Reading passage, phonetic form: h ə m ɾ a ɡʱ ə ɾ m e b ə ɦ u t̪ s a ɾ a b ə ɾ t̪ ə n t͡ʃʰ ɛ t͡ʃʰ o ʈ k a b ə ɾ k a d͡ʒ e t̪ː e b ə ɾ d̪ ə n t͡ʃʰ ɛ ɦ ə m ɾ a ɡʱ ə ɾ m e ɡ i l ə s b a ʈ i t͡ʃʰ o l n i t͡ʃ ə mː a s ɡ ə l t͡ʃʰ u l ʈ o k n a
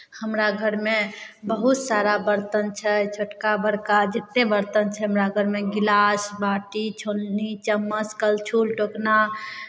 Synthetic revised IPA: h ə m ɾ a ɡʱ ə ɾ m e b ə ɦ u t̪ s a ɾ a b ə ɾ t̪ ə n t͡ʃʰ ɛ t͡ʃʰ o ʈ k a b ə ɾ k a d͡ʒ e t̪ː e b ə ɾ t̪ ə n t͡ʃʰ ɛ ɦ ə m ɾ a ɡʱ ə ɾ m e ɡ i l a s b a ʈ i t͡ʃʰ o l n i t͡ʃ ə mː ə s k ə l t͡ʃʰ u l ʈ o k n a